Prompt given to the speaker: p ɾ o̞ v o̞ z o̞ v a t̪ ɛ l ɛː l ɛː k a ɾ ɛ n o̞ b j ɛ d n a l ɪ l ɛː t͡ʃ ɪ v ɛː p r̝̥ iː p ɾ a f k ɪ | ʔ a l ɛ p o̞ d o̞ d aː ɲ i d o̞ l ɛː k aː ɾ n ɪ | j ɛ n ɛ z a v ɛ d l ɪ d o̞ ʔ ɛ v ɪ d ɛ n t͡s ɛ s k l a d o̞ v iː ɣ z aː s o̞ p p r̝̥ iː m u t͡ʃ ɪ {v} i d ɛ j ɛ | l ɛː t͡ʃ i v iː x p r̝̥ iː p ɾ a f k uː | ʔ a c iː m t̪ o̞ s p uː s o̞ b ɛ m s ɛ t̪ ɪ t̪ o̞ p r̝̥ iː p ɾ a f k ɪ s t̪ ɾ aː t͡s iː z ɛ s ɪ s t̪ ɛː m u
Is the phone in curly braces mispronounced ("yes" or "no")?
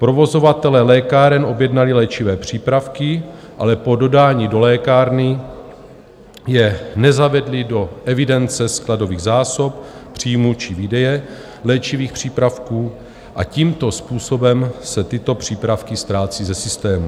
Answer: no